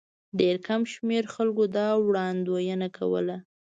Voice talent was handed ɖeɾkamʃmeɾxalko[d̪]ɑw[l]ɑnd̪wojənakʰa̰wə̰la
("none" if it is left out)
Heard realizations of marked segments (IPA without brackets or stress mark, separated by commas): d̪, ɽ